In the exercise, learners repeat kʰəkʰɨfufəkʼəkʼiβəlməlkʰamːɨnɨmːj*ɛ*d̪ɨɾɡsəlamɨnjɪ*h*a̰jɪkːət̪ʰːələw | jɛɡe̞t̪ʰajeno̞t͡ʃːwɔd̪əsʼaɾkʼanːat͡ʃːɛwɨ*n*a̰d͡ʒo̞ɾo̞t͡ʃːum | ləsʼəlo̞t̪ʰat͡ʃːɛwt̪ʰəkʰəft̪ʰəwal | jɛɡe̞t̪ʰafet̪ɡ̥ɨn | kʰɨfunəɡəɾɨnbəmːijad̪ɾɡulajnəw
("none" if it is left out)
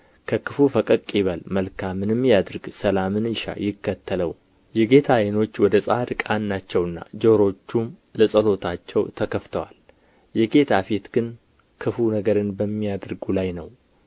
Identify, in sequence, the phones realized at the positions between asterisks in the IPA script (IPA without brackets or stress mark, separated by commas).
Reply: a, ʃ, nː